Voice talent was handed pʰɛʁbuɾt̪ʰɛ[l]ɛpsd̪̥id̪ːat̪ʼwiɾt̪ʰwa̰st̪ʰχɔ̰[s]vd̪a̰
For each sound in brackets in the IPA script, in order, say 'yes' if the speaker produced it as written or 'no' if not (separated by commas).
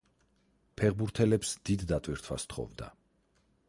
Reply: yes, no